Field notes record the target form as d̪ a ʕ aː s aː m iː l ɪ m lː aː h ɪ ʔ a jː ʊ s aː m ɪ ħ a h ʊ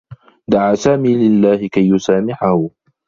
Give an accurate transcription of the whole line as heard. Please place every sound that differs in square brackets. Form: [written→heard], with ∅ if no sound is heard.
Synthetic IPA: d̪ a ʕ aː s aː m iː l ɪ [m→∅] lː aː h ɪ [ʔ→k] a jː ʊ s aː m ɪ ħ a h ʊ